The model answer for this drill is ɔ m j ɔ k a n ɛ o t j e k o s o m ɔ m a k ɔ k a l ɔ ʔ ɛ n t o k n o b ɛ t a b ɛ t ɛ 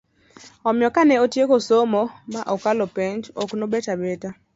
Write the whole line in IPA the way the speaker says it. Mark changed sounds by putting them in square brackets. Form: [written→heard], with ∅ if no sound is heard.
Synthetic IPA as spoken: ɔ m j ɔ k a n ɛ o t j e k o s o m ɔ m a [k→ʔ] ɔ k a l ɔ [ʔ→p] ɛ n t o k n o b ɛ t a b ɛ t [ɛ→a]